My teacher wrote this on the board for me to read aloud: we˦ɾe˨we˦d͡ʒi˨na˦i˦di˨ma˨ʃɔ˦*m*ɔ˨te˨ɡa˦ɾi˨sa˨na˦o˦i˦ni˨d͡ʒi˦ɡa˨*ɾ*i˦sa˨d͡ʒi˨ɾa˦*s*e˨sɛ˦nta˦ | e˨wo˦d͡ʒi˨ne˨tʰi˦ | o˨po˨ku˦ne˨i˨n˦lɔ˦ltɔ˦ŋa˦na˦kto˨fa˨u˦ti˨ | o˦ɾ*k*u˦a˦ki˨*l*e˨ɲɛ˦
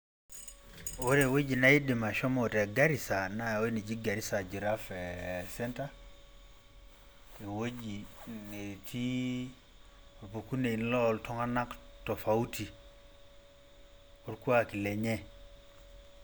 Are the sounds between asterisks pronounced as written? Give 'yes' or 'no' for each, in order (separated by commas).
yes, yes, no, yes, yes